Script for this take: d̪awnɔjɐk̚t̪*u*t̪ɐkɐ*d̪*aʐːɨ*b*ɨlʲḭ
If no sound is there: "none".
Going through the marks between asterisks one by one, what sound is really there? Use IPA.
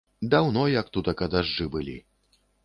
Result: u, d̪, b

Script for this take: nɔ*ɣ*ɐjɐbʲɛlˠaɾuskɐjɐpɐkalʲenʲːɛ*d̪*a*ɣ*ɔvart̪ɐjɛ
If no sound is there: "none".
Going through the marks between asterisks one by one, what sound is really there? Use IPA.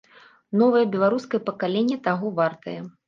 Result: v, t̪, ɣ

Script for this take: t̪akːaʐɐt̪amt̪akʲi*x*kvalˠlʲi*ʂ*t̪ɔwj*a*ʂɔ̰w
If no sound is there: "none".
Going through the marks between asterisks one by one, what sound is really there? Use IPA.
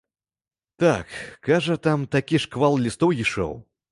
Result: ʂ, s, i

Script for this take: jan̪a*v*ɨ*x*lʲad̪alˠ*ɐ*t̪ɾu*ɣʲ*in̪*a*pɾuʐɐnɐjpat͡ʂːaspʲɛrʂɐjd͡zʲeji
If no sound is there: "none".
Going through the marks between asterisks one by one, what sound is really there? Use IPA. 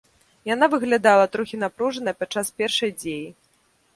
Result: v, ɣ, ɐ, xʲ, a

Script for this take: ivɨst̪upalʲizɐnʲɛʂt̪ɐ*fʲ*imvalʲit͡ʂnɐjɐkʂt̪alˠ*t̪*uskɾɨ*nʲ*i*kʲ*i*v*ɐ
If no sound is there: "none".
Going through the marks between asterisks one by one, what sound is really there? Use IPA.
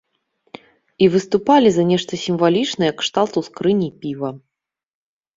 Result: sʲ, t̪, nʲ, pʲ, v

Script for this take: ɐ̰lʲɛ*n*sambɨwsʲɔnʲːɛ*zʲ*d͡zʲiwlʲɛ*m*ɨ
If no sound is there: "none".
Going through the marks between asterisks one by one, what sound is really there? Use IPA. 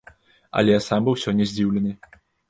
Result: none, zʲ, n

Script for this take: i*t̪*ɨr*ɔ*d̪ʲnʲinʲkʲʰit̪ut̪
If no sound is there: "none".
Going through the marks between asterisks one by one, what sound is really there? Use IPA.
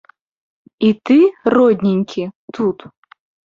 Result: t̪, ɔ

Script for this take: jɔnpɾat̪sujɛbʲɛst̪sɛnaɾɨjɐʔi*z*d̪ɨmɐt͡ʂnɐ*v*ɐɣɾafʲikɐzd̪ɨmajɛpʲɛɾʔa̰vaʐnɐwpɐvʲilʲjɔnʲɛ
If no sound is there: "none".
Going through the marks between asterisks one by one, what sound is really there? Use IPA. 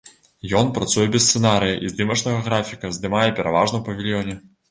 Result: z, ɣ

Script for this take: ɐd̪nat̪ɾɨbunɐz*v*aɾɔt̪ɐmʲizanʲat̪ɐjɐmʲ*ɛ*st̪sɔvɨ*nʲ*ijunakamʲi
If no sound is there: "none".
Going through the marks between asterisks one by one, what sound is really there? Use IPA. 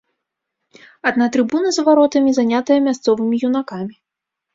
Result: v, a, mʲ

